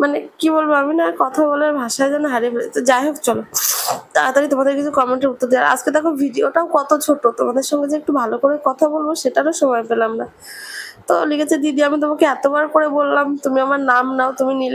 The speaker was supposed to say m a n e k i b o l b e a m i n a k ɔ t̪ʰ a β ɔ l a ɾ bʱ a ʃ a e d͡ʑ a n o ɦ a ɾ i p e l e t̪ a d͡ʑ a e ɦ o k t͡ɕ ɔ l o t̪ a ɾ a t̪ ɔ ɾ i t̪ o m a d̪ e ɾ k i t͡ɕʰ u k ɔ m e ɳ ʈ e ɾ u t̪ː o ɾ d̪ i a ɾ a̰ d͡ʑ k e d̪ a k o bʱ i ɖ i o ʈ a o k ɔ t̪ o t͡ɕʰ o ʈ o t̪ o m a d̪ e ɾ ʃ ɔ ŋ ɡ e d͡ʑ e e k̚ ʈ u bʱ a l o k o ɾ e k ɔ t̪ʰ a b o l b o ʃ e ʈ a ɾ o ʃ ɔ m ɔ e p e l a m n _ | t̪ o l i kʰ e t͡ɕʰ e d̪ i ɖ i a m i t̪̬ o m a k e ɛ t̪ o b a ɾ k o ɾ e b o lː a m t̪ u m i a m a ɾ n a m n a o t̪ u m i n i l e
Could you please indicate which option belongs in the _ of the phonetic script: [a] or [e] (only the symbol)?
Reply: a